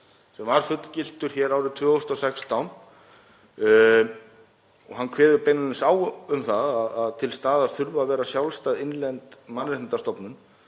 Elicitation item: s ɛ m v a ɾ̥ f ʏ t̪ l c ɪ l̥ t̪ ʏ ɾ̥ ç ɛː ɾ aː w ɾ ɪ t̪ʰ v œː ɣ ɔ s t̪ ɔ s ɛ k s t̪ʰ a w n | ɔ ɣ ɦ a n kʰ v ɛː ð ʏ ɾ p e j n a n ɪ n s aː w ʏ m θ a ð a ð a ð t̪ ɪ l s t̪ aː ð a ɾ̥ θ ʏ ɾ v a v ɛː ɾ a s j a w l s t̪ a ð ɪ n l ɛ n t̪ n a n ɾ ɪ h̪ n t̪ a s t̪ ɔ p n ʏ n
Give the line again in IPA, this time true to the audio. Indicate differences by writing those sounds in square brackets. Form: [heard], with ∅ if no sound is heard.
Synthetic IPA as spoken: s ɛ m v a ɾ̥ f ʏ t̪ l c ɪ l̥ t̪ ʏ ɾ̥ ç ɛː ɾ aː w ɾ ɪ t̪ʰ v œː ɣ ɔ s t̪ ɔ s ɛ k s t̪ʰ a w n | ɔ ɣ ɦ a n kʰ v ɛː ð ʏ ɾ p e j n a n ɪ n s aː w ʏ m θ a ð a ð a ð [t̪ʰ] ɪ l s t̪ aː ð a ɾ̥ θ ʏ ɾ v a v ɛː ɾ a s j a w l s t̪ a ð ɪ n l ɛ n t̪ [m] a n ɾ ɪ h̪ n t̪ a s t̪ ɔ p n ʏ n